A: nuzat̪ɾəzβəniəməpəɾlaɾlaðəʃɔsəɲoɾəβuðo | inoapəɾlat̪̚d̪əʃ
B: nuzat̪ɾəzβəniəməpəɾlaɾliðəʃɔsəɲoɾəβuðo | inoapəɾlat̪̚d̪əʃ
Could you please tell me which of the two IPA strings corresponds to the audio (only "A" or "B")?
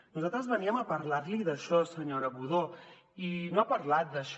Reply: B